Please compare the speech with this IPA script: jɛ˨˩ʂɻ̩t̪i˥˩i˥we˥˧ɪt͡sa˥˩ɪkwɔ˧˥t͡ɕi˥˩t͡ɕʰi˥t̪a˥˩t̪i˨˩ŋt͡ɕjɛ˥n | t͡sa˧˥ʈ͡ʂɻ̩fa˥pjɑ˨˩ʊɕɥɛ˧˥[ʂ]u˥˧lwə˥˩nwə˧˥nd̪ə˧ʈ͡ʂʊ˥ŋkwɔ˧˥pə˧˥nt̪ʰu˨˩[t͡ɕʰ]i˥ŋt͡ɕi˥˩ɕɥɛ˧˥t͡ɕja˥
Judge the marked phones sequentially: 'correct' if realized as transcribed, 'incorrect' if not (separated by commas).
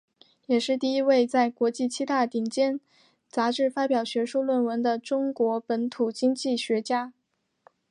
correct, incorrect